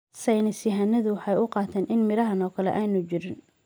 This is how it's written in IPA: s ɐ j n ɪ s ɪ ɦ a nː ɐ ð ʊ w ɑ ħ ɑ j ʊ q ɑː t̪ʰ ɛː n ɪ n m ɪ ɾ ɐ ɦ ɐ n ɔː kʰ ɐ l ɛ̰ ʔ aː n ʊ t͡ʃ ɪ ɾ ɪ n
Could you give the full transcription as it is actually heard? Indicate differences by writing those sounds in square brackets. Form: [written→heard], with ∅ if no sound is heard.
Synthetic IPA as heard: s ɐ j n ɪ s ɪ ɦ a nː ɐ ð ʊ w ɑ ħ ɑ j ʊ q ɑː t̪ʰ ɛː n ɪ n m ɪ ɾ ɐ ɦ ɐ n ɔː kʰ ɐ l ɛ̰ ʔ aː n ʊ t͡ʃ ɪ ɾ ɪ n